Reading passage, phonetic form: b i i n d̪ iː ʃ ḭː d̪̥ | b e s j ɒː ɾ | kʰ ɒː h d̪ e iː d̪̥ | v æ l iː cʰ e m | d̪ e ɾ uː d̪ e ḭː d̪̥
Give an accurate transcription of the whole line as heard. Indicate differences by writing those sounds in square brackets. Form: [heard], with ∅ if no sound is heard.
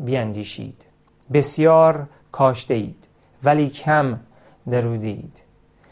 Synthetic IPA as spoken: b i [æ] n d̪ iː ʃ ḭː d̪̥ | b e s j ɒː ɾ | kʰ ɒː [ʃ] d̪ e iː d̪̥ | v æ l iː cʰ [æ] m | d̪ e ɾ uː d̪ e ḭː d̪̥